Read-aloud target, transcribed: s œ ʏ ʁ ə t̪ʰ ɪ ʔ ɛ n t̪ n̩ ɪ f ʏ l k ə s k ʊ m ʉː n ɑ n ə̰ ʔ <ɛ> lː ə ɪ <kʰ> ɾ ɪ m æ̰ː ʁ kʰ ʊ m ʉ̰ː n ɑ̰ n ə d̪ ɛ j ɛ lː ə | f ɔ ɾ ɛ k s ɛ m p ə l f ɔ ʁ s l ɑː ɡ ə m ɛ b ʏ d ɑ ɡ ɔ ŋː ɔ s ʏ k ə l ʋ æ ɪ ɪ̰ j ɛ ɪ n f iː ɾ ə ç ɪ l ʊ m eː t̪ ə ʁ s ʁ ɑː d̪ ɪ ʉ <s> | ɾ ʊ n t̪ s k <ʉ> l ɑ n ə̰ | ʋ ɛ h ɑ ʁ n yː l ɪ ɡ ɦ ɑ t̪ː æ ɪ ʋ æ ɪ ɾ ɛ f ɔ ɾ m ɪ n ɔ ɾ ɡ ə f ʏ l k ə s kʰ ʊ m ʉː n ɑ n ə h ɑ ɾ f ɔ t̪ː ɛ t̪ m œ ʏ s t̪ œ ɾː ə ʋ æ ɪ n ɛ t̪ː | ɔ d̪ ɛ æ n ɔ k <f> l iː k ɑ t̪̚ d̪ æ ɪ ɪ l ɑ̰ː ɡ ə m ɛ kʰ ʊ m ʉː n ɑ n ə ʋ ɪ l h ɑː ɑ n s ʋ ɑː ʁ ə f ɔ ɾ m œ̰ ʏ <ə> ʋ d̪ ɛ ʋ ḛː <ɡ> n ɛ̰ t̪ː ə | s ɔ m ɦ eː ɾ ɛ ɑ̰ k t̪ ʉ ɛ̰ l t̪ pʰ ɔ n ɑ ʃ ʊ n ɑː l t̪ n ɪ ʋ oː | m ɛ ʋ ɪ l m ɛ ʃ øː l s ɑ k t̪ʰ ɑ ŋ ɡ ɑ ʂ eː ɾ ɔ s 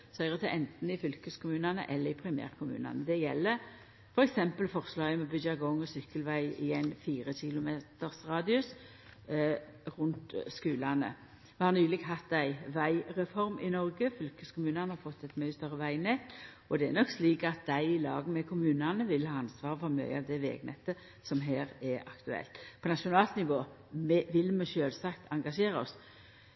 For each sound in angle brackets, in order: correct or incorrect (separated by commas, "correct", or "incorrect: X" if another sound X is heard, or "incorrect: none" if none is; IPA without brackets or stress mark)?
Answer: correct, incorrect: pʰ, correct, incorrect: ʉː, incorrect: s, incorrect: ɑ, correct